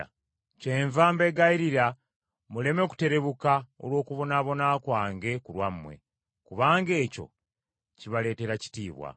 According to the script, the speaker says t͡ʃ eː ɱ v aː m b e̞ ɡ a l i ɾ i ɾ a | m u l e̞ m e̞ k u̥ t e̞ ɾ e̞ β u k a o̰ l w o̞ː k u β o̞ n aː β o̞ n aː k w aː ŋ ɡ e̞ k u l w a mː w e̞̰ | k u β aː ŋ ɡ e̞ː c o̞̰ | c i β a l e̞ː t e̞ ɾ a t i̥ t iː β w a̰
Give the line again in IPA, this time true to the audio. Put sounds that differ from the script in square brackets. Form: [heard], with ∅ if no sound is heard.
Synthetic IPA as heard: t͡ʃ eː ɱ v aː m b e̞ ɡ a [∅] i ɾ i ɾ a | m u l e̞ m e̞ k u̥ t e̞ ɾ e̞ β u k a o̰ l w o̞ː k u β o̞ n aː β o̞ n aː k w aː ŋ ɡ e̞ k u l w a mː w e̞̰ | k u β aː ŋ ɡ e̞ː c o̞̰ | c i β a l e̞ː t e̞ ɾ a [c] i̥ t iː β w a̰